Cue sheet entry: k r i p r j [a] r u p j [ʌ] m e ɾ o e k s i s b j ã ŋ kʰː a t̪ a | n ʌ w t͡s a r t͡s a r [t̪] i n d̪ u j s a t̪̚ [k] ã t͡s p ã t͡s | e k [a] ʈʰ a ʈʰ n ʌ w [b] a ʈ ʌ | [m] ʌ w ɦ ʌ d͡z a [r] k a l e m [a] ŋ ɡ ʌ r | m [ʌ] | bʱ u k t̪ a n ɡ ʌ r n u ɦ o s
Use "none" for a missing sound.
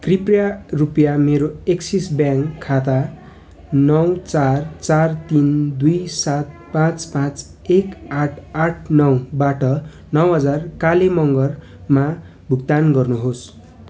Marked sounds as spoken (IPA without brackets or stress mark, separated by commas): a, a, t̪, p, a, b, n, r, ʌ, a